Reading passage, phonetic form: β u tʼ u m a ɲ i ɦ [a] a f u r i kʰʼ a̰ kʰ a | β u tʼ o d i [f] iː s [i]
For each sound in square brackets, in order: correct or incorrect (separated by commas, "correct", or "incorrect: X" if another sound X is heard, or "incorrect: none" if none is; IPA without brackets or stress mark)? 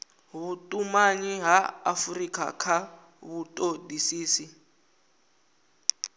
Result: correct, incorrect: s, correct